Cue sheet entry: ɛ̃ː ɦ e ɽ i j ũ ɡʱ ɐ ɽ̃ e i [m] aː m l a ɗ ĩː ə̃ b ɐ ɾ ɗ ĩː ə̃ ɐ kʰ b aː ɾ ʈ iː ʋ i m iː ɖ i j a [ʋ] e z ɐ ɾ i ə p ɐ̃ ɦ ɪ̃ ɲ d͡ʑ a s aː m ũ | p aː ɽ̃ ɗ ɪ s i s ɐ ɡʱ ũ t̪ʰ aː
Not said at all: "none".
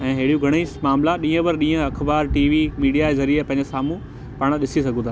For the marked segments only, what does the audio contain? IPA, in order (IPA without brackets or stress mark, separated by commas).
m, none